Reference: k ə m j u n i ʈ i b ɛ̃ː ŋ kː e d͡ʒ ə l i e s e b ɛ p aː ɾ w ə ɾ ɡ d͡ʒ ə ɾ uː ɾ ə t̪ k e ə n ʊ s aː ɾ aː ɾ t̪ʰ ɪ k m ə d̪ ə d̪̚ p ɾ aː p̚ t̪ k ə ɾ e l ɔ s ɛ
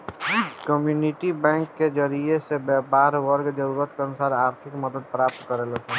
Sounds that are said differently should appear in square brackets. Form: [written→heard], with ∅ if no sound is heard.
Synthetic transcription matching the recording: k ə m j u n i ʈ i b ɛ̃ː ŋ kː e d͡ʒ ə [l→ɾ] i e s e b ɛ p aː ɾ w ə ɾ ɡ d͡ʒ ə ɾ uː ɾ ə t̪ k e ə n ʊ s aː ɾ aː ɾ t̪ʰ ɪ k m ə d̪ ə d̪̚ p ɾ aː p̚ t̪ k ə ɾ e l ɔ s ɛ